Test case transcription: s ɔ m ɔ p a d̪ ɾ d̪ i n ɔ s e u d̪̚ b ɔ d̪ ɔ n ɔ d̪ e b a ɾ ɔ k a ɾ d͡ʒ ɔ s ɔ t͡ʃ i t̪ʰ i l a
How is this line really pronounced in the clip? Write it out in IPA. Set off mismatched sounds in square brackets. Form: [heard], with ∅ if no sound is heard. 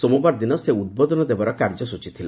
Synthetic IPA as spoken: s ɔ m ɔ [b] a [∅] ɾ d̪ i n ɔ s e u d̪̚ b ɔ d̪ ɔ n ɔ d̪ e b a ɾ ɔ k a ɾ d͡ʒ ɔ s [u] t͡ʃ i t̪ʰ i l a